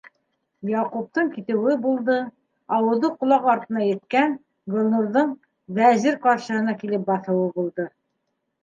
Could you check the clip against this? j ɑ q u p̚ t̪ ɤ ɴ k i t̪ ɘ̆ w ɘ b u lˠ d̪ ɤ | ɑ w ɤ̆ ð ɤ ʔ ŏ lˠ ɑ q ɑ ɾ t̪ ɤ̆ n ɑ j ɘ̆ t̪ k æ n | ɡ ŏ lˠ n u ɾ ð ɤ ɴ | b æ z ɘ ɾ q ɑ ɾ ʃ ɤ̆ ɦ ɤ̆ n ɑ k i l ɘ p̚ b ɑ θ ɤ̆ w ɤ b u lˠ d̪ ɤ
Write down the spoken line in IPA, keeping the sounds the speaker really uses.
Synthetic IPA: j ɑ q u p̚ t̪ ɤ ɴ k i t̪ ɘ̆ w ɘ b u lˠ d̪ ɤ | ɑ w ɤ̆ ð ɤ q ŏ lˠ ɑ q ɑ ɾ t̪ ɤ̆ n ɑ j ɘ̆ t̪ k æ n | ɡ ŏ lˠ n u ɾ ð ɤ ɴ | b æ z ɘ ɾ q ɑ ɾ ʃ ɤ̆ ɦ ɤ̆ n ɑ k i l ɘ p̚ b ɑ θ ɤ̆ w ɤ b u lˠ d̪ ɤ